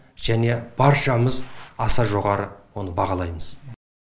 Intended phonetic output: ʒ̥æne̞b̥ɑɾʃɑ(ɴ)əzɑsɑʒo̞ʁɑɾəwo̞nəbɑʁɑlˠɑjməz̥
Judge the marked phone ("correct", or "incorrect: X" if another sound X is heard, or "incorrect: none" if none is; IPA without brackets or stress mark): incorrect: m